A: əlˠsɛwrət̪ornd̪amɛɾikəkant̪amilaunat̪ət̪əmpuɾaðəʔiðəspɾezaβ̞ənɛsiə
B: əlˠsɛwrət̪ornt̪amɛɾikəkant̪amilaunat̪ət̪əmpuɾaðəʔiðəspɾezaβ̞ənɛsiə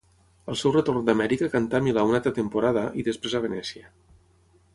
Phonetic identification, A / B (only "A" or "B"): A